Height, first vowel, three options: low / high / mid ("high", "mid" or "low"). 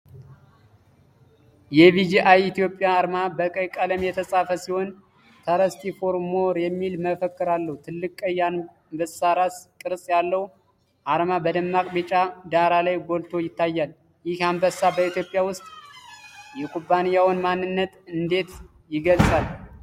mid